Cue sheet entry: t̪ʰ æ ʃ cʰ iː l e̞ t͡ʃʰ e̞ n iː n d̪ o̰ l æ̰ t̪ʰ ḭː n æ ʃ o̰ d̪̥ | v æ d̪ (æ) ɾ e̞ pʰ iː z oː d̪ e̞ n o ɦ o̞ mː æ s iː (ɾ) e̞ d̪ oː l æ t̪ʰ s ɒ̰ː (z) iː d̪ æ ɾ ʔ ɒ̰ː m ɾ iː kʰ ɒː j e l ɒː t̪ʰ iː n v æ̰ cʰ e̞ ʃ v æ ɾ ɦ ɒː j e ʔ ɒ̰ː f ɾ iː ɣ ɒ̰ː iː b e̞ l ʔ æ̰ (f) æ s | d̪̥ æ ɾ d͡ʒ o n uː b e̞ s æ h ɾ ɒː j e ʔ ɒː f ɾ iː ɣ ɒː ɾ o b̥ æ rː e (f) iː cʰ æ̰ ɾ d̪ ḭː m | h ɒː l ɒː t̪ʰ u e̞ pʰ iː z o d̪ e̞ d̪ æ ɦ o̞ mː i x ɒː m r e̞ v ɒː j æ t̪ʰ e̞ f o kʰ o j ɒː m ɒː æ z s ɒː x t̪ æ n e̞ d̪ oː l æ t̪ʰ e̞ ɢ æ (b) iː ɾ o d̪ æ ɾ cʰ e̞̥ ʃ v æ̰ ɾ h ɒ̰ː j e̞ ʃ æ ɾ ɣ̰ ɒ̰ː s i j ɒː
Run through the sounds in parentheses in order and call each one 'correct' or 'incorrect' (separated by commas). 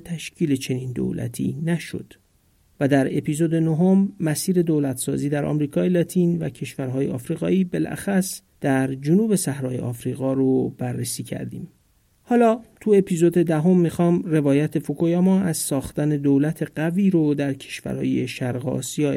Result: correct, correct, correct, incorrect, incorrect, incorrect